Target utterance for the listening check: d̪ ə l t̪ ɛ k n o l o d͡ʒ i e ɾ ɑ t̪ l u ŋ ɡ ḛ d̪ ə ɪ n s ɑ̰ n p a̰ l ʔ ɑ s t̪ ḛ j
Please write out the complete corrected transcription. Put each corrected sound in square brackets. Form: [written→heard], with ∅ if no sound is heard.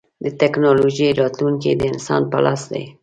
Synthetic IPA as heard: d̪ ə [l→∅] t̪ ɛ k n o l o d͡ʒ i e ɾ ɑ t̪ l u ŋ [ɡ→k] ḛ d̪ ə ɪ n s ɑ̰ n p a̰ l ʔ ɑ s [t̪→d̪] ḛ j